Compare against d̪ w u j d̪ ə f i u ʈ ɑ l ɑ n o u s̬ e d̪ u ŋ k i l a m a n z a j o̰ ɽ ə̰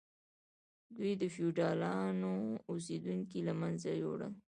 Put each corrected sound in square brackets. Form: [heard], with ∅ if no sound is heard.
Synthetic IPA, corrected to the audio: d̪ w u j d̪ ə f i u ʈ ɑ l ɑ n o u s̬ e d̪ u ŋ k i l a m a n z a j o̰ ɽ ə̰